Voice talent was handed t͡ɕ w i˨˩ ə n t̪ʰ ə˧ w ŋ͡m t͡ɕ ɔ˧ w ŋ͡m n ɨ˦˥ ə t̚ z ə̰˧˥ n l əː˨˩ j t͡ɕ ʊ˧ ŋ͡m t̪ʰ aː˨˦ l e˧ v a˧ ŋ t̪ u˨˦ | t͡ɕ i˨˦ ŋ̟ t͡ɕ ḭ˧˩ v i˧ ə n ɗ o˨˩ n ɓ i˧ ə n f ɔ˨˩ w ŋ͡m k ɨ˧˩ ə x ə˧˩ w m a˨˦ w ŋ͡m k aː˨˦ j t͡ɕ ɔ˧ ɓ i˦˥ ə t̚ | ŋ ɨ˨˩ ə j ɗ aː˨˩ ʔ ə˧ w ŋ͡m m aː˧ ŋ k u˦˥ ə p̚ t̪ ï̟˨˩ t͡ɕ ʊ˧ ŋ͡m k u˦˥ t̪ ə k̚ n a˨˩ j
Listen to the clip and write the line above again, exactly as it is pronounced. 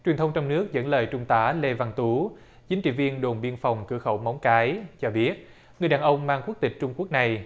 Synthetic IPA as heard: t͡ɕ w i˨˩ ə n t̪ʰ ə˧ w ŋ͡m t͡ɕ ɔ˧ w ŋ͡m n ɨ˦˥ ə k̚ z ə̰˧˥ n l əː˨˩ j t͡ɕ ʊ˧ ŋ͡m t̪ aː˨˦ l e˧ v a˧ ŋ t̪ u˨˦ | t͡ɕ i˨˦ ŋ̟ t͡ɕ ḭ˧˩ v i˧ ə n ɗ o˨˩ n ɓ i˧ ə n f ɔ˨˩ w ŋ͡m k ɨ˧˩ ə x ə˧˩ w m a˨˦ w ŋ͡m k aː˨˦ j t͡ɕ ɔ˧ ɓ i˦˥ ə t̚ | ŋ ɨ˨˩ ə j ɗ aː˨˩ ʔ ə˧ w ŋ͡m m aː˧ ŋ k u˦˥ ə k̚ t̪ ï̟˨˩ t͡ɕ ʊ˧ ŋ͡m k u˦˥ ə k̚ n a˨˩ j